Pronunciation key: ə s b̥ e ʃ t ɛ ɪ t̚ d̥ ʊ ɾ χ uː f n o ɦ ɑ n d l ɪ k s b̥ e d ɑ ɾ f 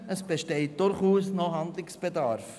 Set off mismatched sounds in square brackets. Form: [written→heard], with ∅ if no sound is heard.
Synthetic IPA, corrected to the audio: ə s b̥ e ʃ t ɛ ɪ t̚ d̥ ʊ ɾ χ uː [f→s] n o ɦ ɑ n d l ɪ k s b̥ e d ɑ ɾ f